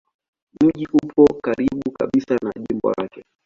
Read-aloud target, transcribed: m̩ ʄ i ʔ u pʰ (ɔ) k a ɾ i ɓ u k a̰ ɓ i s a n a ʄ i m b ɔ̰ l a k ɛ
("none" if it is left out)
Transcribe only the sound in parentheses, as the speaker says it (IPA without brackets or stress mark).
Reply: ɔ